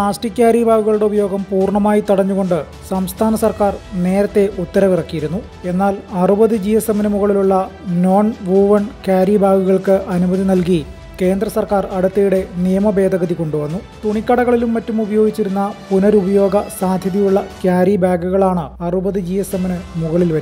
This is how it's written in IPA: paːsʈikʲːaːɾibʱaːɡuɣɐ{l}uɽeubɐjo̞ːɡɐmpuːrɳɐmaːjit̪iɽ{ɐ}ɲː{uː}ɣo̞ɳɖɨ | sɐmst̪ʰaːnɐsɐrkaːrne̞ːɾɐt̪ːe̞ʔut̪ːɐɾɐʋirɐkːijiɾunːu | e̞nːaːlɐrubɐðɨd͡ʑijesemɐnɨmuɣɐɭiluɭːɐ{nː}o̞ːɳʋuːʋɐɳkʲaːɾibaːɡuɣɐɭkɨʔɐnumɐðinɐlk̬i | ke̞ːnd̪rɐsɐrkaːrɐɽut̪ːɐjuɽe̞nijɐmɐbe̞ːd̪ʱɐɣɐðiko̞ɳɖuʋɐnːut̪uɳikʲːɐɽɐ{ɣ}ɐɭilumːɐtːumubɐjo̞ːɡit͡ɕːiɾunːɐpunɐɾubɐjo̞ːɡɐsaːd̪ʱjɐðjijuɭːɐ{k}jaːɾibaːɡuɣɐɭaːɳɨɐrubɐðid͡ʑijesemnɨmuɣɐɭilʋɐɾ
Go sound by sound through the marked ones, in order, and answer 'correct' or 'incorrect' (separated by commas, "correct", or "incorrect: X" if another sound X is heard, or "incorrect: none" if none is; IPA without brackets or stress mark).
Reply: incorrect: ɭ, correct, incorrect: u, incorrect: n, correct, correct